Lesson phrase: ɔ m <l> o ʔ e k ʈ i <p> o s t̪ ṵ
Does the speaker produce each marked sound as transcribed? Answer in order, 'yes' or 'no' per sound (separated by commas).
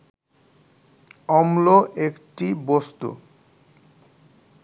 yes, no